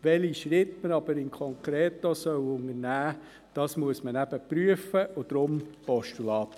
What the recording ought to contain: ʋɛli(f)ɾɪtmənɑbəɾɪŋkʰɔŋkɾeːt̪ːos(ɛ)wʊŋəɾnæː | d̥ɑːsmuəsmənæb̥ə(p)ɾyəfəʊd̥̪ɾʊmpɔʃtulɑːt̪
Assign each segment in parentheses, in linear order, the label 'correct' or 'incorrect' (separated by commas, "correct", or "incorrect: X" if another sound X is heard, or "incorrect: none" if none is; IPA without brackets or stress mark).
incorrect: ʃ, incorrect: œ, correct